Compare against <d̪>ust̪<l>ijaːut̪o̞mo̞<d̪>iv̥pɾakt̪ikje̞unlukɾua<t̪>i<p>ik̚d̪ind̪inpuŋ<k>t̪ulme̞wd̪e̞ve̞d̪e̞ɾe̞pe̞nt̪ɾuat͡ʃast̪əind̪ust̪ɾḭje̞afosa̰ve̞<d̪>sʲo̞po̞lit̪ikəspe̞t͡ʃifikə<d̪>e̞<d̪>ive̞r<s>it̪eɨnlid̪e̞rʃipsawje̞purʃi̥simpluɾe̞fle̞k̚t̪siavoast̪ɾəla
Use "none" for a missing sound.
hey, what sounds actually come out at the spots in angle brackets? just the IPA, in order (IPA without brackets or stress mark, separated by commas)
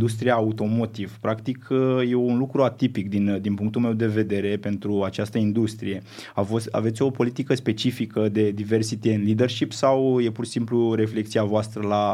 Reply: d̪, ɾ, t̪, t̪, p, k, t̪, d̪, d̪, s